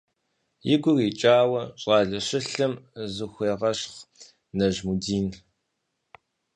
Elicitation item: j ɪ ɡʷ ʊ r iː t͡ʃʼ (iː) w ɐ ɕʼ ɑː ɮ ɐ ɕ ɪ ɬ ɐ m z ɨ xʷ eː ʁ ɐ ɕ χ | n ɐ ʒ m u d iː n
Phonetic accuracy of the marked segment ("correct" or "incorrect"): incorrect